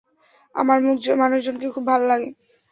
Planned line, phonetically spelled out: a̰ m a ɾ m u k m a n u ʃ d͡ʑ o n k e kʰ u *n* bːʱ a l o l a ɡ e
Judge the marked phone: incorrect: none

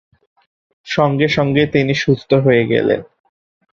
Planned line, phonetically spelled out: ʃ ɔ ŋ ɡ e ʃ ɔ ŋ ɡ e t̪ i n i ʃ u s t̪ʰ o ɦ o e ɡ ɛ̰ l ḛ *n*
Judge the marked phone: correct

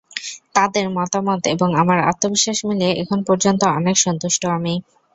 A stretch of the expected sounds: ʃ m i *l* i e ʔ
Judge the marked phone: correct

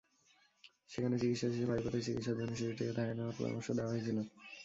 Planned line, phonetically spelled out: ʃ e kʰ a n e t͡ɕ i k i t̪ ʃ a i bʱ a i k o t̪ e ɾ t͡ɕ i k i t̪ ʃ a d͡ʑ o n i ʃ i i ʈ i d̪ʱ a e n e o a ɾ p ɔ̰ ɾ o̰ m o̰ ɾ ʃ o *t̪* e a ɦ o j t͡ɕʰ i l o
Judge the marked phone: incorrect: d̪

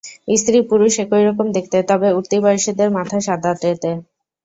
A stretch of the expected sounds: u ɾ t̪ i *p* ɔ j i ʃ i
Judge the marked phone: incorrect: b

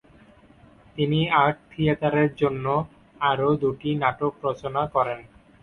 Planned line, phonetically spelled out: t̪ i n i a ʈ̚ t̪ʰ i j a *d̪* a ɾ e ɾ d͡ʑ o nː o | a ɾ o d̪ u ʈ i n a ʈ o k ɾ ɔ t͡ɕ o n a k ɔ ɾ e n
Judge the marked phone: incorrect: t̪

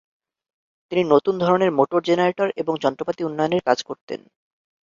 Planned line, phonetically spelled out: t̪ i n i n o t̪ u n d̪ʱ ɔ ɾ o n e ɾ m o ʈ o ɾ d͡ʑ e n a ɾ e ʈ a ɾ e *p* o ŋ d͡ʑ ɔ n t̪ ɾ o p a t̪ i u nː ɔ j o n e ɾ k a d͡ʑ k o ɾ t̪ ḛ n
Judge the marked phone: incorrect: b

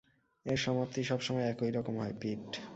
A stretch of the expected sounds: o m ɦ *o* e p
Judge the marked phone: incorrect: ɔ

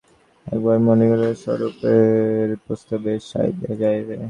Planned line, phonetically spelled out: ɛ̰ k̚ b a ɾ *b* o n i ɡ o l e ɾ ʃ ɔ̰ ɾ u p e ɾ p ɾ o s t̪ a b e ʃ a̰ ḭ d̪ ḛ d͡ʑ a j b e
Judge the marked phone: incorrect: m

